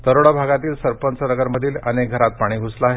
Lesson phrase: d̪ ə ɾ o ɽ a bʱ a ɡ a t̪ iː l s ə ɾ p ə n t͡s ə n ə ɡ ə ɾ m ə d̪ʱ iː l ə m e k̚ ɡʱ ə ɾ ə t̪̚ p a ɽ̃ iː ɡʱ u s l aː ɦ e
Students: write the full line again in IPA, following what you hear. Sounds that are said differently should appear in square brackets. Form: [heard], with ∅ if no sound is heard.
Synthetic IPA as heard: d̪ ə ɾ o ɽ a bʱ a ɡ a t̪ iː l s ə ɾ p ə n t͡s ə n ə ɡ ə ɾ m ə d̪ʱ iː l ə [n] e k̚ ɡʱ ə ɾ [a] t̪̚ p a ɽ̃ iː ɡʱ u s l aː ɦ e